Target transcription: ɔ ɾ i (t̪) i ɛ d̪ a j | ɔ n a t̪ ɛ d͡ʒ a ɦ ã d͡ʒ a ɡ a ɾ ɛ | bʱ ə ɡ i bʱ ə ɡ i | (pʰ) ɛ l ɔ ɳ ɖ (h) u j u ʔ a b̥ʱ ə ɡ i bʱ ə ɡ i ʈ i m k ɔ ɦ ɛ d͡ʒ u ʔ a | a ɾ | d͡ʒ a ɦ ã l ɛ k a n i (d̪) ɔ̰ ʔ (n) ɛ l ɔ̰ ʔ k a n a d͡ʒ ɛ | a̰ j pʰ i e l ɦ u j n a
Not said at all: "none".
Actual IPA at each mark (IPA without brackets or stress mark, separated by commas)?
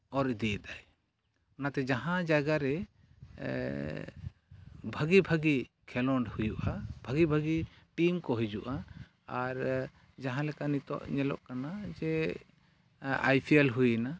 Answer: d̪, kʰ, h, t̪, ɲ